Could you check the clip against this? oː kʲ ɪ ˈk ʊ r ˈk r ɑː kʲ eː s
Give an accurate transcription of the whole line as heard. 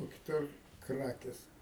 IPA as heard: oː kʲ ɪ ˈt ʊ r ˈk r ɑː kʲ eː s